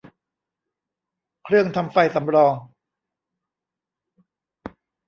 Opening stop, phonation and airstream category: aspirated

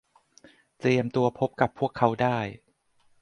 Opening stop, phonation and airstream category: plain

